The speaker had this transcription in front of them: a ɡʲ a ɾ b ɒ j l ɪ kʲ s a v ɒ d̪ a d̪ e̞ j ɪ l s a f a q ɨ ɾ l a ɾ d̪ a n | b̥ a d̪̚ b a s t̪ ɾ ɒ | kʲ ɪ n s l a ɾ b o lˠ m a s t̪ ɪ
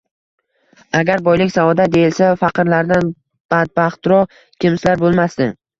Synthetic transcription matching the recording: a ɡʲ a ɾ b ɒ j l ɪ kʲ s a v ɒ d̪ a d̪ e̞ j ɪ l s a f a q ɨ ɾ l a ɾ d̪ a n | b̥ a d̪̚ b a χ t̪ ɾ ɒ | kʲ ɪ m s l a ɾ b o lˠ m a s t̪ ɪ